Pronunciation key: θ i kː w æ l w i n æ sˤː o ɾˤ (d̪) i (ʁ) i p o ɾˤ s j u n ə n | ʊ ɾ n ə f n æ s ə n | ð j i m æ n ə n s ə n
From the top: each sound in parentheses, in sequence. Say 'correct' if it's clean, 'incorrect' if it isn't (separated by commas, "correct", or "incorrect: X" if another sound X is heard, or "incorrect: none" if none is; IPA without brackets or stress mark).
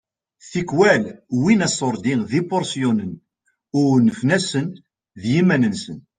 correct, incorrect: ð